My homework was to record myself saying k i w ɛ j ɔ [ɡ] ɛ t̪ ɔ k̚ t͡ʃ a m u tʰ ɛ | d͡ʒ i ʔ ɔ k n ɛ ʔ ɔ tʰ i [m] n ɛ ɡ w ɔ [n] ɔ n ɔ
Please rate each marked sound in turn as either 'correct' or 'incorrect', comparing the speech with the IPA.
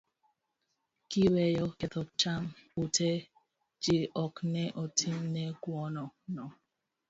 incorrect: k, correct, correct

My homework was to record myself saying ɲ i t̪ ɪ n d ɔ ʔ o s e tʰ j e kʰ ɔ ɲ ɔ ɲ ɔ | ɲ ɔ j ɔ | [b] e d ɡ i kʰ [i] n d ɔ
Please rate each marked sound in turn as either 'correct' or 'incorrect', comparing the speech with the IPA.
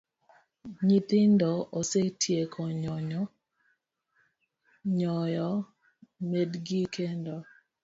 incorrect: m, incorrect: e

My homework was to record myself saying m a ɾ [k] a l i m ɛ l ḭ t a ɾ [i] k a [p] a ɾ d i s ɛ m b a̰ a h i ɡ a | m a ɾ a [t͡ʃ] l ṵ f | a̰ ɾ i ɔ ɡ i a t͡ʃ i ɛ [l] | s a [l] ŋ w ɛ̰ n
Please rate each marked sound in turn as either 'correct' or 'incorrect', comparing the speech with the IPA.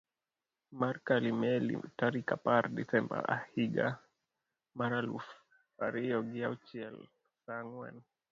correct, correct, correct, incorrect: none, correct, incorrect: none

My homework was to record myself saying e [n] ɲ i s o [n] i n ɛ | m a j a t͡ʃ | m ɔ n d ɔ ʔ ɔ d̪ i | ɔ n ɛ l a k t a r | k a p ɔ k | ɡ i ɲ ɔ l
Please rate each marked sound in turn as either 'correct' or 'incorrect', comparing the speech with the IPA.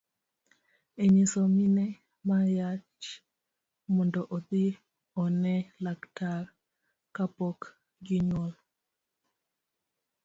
incorrect: none, incorrect: m

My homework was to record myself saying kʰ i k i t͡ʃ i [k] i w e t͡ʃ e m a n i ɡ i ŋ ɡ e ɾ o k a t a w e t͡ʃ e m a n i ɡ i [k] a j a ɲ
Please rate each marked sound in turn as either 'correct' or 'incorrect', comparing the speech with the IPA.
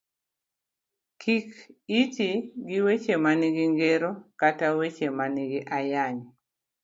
incorrect: ɡ, incorrect: ʔ

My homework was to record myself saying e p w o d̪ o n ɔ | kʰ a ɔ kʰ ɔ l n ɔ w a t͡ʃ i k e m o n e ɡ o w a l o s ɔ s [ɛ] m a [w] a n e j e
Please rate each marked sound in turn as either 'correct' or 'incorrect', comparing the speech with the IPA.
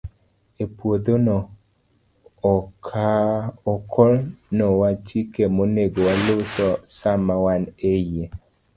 incorrect: a, correct

